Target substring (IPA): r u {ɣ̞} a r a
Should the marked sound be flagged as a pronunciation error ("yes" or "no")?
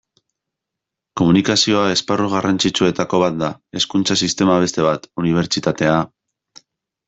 no